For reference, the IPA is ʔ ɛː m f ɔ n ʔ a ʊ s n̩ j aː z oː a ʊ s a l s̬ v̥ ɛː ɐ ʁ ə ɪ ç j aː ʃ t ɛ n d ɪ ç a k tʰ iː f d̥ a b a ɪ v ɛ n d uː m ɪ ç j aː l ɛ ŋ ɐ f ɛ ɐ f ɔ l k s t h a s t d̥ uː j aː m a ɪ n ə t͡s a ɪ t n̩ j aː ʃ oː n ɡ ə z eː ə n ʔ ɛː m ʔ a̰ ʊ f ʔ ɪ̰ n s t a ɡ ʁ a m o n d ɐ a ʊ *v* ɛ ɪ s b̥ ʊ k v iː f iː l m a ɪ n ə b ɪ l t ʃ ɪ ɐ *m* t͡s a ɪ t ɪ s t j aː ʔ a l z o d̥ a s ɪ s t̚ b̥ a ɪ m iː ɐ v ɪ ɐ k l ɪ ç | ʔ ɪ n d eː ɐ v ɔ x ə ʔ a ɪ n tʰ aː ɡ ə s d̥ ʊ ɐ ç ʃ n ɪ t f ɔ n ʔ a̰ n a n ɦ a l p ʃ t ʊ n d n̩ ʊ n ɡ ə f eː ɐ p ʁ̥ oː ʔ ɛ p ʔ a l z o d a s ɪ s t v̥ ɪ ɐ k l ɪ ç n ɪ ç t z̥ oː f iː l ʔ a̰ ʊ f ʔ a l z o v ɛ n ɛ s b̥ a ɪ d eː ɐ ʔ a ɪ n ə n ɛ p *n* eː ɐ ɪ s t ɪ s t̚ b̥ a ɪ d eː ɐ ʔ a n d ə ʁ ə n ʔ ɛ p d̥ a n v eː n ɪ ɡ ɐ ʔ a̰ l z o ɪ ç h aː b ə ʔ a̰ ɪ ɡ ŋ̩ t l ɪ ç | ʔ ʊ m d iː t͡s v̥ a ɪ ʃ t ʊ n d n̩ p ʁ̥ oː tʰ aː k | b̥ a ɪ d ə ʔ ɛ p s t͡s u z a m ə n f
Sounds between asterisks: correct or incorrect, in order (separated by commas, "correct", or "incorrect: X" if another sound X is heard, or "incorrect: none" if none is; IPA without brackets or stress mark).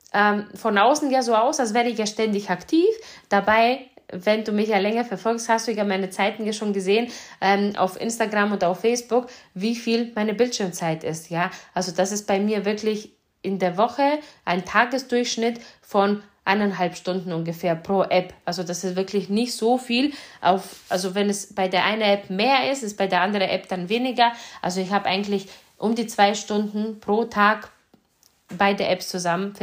incorrect: f, correct, incorrect: m